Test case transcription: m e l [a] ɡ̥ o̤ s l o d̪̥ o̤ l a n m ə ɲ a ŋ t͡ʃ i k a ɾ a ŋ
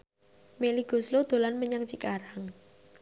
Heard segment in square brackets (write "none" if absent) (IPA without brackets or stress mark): i